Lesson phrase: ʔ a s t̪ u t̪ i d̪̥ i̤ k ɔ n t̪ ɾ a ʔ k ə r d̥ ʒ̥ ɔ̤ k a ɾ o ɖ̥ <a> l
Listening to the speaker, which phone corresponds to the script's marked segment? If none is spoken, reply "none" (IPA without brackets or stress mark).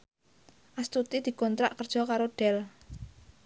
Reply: ɛ